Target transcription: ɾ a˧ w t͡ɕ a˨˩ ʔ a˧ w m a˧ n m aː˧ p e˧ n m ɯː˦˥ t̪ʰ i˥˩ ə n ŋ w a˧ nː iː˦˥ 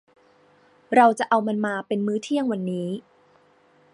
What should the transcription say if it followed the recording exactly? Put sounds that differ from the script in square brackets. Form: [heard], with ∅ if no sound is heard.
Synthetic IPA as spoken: ɾ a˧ w t͡ɕ a˨˩ ʔ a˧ w m a˧ n m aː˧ p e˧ n m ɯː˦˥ t̪ʰ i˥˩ ə [∅] ŋ w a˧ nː iː˦˥